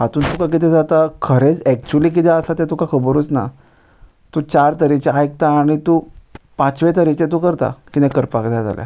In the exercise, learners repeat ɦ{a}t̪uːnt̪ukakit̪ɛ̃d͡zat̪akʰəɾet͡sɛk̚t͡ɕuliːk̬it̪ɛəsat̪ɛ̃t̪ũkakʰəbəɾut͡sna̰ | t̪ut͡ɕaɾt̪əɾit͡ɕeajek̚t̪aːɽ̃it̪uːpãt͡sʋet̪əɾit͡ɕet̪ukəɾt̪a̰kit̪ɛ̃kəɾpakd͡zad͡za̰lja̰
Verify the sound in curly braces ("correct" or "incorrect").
correct